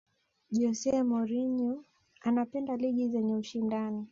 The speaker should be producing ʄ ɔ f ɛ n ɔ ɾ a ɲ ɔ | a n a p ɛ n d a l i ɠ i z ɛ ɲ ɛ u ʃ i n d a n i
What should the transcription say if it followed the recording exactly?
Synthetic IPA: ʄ ɔ s ɛ m ɔ ɾ i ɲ ɔ | a n a p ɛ n d a l i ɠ i z ɛ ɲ ɛ u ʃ i n d a n i

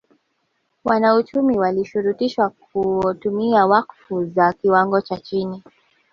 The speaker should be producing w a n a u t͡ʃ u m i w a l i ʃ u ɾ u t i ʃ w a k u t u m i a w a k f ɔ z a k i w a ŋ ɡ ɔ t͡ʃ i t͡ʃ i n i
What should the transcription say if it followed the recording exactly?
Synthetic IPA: w a n a u t͡ʃ u m i w a l i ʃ u ɾ u t i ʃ w a k u t u m i a w a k f u z a k i w a ŋ ɡ ɔ t͡ʃ a t͡ʃ i n i

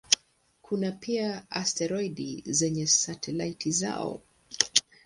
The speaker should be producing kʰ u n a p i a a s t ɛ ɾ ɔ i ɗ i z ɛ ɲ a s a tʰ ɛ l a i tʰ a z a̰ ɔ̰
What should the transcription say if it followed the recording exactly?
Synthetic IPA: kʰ u n a p i a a s t ɛ ɾ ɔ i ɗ i z ɛ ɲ ɛ s a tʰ ɛ l a i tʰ i z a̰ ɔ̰

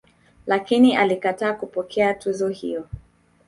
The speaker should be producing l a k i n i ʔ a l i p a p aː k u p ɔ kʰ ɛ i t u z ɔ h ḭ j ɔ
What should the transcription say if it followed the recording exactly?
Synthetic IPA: l a k i n i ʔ a l i k a t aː k u p ɔ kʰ ɛ a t u z ɔ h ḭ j ɔ

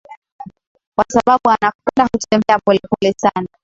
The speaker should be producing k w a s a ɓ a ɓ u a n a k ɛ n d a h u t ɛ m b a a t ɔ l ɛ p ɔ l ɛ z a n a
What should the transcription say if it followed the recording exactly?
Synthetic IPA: k w a s a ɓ a ɓ u a n a k ɛ n d a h u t ɛ m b ɛ a p ɔ l ɛ p ɔ l ɛ s a n a

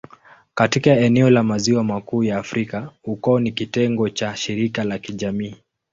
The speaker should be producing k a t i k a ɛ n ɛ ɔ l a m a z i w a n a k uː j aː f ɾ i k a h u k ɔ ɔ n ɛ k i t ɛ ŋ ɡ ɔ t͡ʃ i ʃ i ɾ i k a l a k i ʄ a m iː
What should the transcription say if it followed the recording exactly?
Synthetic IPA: k a t i k a ɛ n ɛ ɔ l a m a z i w a m a k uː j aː f ɾ i k a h u k ɔ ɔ n i k i t ɛ ŋ ɡ ɔ t͡ʃ a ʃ i ɾ i k a l a k i ʄ a m iː

